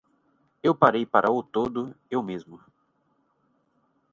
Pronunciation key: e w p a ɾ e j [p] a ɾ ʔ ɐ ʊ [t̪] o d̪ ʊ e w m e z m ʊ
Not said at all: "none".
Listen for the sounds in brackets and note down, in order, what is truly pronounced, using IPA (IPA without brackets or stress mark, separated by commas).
p, t̪